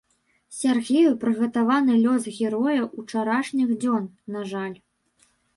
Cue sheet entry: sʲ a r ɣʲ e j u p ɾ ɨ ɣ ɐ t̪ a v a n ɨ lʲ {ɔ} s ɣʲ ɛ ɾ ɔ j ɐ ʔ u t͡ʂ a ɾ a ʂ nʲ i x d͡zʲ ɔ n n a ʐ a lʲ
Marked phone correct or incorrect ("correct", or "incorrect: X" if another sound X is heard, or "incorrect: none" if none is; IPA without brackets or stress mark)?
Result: correct